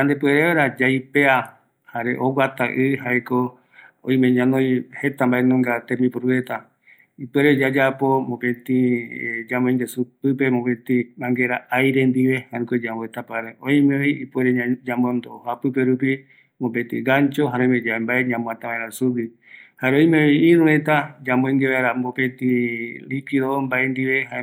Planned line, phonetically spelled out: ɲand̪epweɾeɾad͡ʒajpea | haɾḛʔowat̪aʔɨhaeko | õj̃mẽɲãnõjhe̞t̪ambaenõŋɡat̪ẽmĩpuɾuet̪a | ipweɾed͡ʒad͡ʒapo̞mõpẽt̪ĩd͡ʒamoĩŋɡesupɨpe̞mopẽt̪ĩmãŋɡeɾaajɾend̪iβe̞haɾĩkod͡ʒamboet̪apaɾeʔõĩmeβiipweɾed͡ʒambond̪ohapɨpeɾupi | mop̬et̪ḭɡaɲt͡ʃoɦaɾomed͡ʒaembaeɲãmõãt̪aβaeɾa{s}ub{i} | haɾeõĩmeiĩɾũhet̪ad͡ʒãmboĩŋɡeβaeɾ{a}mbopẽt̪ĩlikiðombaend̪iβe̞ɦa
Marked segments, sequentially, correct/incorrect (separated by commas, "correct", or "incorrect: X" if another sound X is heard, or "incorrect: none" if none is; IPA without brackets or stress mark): correct, correct, correct